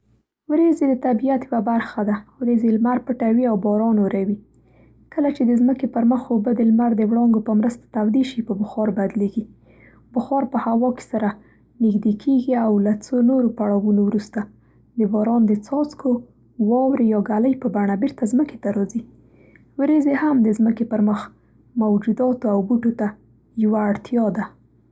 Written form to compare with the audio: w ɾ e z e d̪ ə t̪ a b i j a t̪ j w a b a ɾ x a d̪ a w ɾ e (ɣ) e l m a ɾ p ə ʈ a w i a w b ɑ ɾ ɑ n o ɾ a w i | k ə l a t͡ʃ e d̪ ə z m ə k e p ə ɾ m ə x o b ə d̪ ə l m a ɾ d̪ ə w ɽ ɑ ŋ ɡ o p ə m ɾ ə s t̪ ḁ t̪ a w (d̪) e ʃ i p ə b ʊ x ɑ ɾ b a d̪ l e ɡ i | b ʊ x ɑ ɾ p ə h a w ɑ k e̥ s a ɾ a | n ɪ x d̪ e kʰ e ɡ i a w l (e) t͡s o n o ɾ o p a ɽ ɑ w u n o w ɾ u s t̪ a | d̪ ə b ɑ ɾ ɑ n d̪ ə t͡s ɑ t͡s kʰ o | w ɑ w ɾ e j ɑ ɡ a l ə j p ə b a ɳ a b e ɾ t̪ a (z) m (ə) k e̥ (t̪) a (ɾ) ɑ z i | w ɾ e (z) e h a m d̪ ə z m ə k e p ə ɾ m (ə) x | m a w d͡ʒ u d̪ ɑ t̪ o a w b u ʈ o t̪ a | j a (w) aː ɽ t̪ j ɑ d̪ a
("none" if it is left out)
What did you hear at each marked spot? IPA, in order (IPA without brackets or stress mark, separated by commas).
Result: z, d̪, a, z, ə, t̪, ɾ, z, ə, w